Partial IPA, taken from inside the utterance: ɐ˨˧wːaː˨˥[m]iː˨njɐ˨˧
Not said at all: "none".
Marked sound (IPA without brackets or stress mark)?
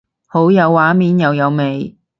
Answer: m